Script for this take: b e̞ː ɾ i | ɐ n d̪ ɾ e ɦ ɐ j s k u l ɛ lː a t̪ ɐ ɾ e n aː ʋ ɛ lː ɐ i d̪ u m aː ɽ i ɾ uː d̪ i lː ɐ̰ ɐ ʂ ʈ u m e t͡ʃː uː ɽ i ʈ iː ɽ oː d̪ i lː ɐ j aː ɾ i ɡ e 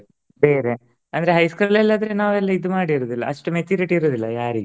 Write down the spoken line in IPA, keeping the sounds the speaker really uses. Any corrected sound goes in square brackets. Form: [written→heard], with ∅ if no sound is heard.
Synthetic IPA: b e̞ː ɾ [i→e] | ɐ n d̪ ɾ e ɦ ɐ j s k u l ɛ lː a [t̪→d̪] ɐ ɾ e n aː ʋ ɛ lː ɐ i d̪ u m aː ɽ i ɾ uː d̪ i lː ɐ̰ ɐ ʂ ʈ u m e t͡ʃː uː [ɽ→ɾ] i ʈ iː [ɽ→ɾ] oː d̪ i lː ɐ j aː ɾ i ɡ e